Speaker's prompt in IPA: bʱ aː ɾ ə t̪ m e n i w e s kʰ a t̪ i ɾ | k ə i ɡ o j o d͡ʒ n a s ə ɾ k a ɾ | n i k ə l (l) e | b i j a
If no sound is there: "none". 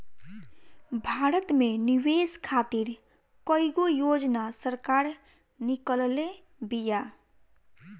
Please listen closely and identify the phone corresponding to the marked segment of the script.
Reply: l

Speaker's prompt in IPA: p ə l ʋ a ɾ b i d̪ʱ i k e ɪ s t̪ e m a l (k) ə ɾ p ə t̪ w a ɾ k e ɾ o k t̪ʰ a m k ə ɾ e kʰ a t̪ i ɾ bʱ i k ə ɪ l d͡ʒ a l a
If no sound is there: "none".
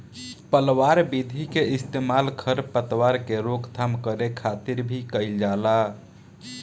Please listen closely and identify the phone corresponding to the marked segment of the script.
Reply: kʰ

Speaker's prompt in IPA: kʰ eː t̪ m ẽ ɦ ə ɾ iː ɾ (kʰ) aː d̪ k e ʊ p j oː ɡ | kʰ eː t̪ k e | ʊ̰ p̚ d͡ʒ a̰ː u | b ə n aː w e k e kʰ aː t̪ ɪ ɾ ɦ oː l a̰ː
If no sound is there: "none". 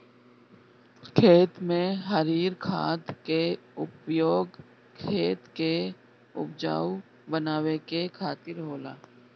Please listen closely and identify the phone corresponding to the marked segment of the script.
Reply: kʰ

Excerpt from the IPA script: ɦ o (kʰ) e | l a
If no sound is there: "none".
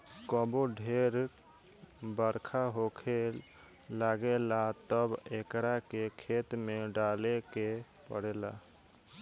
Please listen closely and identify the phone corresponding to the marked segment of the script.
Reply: kʰ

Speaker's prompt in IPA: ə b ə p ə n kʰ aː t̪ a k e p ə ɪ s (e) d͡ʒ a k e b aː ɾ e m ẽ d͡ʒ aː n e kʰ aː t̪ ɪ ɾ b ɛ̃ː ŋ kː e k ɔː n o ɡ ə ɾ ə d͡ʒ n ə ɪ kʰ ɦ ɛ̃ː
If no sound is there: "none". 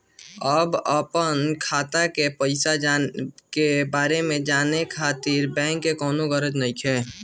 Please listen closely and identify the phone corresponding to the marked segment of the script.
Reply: a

